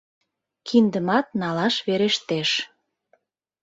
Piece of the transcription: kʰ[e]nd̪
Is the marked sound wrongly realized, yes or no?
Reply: yes